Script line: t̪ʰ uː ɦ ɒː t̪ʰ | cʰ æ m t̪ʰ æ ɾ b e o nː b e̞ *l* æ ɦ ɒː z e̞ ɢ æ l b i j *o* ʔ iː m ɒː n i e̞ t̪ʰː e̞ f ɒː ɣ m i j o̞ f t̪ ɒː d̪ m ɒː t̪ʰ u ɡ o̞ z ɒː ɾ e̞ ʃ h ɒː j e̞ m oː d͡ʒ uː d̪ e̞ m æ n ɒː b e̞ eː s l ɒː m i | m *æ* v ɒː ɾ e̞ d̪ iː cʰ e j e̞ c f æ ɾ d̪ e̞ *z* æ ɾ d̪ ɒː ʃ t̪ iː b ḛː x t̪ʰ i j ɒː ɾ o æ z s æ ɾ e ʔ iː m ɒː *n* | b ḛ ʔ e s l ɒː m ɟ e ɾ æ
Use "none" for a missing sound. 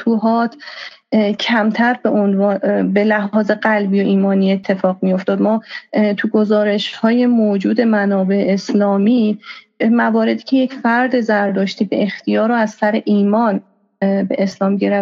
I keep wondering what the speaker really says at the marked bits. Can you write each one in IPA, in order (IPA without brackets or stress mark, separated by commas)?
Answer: l, o, æ, z, n